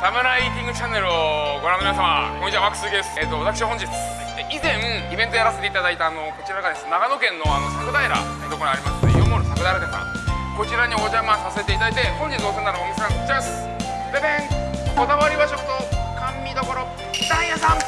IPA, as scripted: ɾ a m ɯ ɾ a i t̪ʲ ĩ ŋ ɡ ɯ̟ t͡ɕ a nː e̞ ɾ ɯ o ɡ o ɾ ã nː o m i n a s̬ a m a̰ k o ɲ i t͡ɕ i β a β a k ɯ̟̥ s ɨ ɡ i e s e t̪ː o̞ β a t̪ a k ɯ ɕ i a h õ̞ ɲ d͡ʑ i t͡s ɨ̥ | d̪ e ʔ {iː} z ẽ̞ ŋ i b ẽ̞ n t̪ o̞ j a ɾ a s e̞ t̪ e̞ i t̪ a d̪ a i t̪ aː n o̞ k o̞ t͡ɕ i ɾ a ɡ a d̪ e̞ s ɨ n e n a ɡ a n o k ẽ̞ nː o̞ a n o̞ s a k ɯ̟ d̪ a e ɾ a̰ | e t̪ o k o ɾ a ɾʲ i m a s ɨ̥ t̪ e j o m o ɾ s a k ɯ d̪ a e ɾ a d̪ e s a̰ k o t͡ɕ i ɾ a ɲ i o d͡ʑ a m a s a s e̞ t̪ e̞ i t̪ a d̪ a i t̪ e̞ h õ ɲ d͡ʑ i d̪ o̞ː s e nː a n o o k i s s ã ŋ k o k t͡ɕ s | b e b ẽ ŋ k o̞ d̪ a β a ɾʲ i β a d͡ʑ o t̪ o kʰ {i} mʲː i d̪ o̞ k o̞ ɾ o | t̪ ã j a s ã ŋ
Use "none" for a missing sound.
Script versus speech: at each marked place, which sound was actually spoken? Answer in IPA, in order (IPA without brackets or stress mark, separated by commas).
i, a